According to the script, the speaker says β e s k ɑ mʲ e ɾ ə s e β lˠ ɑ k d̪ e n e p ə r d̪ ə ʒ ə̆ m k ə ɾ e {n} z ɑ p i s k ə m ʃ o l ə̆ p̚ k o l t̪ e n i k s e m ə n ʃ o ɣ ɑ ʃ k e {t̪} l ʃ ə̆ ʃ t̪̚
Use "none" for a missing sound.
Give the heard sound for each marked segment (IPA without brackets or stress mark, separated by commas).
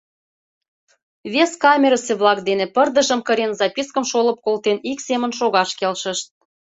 n, none